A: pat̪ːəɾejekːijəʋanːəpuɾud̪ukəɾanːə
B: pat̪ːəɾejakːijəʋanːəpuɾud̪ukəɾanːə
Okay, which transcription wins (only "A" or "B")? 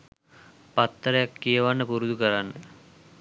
B